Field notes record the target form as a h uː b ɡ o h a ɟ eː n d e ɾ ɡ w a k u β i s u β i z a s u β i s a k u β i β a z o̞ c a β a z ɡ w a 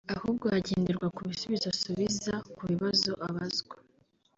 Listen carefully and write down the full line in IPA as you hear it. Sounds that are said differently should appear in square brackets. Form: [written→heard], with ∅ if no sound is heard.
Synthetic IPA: a h uː b ɡ o h a ɟ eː n d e ɾ ɡ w a k u β i s u β i z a s u β i [s→z] a k u β i β a z o̞ [c→ʔ] a β a z ɡ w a